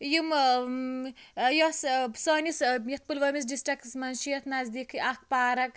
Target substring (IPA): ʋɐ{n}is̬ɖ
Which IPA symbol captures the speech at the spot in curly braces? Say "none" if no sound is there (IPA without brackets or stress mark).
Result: m